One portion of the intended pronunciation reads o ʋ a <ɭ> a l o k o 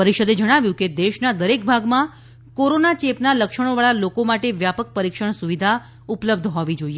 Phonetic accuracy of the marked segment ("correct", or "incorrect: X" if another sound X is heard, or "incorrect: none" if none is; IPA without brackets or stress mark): correct